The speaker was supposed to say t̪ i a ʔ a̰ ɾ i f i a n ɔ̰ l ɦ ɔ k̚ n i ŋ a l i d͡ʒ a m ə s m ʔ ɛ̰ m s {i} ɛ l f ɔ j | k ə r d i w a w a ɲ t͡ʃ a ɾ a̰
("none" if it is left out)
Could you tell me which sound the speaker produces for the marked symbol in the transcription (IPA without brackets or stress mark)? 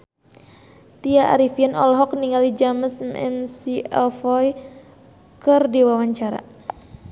i